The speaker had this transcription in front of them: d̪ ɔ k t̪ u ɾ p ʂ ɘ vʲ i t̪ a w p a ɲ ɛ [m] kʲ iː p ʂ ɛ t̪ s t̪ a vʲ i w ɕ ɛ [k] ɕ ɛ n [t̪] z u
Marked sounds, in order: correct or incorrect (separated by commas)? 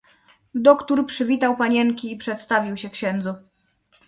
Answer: incorrect, correct, incorrect